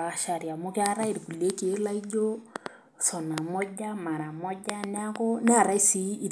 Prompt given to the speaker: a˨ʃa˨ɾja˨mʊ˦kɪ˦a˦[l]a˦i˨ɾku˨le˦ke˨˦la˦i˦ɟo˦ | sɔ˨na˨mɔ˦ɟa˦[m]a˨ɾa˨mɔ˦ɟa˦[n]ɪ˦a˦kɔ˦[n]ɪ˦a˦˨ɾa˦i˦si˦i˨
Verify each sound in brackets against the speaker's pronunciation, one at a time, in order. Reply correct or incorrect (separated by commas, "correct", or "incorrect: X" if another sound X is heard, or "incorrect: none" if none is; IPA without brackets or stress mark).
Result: incorrect: ɾ, correct, correct, correct